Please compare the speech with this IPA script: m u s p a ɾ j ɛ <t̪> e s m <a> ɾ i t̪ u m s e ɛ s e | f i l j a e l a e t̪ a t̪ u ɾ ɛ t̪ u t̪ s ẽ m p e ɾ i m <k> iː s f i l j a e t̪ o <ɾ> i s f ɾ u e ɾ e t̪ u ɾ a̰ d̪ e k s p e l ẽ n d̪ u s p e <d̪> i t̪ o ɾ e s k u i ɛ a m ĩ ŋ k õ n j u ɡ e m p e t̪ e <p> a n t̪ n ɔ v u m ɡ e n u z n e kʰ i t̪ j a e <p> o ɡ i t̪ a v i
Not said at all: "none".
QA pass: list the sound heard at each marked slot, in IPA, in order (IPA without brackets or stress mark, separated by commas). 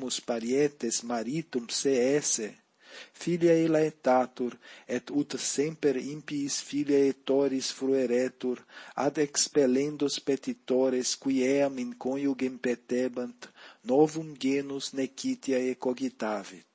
t̪, a, p, ɾ, t̪, b, k